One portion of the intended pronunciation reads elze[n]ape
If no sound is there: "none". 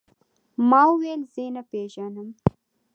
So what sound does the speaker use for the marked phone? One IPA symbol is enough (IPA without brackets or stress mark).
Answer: n